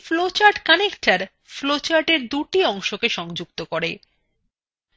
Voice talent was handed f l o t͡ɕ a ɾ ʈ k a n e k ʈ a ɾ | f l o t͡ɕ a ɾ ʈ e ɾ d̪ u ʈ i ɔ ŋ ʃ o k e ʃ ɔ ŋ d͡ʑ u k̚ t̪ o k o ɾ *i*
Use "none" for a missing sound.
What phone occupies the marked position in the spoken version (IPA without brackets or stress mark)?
e